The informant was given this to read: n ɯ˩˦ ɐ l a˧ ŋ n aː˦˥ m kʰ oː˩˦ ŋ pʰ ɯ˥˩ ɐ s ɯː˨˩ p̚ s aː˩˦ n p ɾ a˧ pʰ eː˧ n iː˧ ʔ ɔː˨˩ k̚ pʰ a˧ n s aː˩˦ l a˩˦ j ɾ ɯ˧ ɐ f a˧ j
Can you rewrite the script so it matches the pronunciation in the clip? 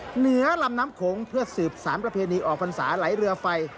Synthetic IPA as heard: n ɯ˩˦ ɐ l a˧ m n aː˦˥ m kʰ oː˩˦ ŋ pʰ ɯ˥˩ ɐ s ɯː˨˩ p̚ s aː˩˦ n p ɾ a˧ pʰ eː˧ n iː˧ ʔ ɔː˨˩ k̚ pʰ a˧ n s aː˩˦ l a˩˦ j ɾ ɯ˧ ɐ f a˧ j